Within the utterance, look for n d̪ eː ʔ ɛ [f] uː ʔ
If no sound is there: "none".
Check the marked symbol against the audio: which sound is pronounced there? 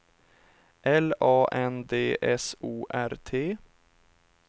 s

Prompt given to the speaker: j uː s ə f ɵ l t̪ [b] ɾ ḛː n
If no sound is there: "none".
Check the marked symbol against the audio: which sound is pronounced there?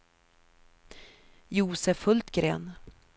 ɡ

